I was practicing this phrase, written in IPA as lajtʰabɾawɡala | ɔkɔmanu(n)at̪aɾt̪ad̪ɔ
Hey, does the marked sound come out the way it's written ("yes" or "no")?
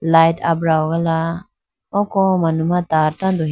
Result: no